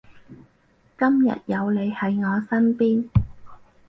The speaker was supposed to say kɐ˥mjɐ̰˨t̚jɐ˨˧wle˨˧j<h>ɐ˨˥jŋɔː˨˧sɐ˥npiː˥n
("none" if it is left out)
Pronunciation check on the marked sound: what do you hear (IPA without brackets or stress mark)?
h